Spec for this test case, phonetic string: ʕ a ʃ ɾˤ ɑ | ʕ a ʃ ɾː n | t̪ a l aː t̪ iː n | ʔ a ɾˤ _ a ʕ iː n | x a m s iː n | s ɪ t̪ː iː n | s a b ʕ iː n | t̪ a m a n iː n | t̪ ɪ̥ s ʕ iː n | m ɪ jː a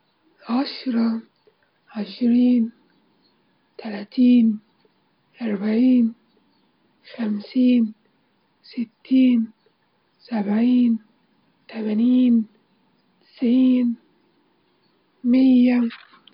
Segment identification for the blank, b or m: b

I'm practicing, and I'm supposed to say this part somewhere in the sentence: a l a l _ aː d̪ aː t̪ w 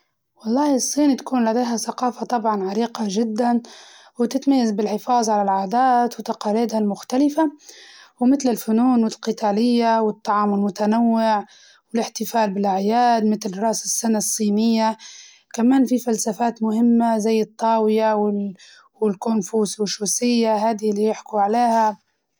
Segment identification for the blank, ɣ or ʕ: ʕ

